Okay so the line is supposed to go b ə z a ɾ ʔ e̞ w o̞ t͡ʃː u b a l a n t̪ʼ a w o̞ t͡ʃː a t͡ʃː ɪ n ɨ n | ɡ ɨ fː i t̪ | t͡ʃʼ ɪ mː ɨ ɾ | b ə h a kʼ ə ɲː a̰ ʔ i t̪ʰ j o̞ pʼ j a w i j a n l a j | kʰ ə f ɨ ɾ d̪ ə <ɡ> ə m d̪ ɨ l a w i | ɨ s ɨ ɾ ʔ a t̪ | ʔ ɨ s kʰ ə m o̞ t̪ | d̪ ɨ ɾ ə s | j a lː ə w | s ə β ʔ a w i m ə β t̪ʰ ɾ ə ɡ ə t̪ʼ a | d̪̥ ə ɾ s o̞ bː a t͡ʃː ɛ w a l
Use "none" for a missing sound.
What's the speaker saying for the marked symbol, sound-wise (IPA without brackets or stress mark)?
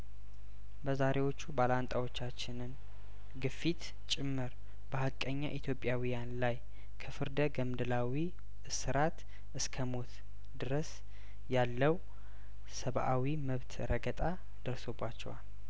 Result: ɡ